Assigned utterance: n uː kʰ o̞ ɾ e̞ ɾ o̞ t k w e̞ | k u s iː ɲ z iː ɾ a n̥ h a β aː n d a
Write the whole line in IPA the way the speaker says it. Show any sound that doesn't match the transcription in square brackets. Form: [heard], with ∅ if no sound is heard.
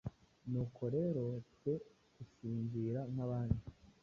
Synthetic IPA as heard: n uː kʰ o̞ ɾ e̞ ɾ o̞ t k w e̞ | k u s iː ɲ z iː ɾ a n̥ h a β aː n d [i]